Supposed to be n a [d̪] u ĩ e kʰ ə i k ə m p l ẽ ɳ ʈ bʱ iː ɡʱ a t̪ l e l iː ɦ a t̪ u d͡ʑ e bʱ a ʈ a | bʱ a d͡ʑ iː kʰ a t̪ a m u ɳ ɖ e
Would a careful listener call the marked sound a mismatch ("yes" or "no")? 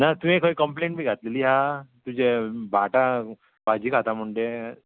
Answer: yes